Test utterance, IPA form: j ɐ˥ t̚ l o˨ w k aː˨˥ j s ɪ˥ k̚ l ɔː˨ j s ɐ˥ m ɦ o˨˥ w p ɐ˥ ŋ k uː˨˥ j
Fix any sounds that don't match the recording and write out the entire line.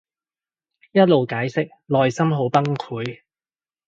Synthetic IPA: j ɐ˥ t̚ l o˨ w k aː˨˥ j s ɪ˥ k̚ l ɔː˨ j s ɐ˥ m ɦ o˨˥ w p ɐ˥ ŋ kʰ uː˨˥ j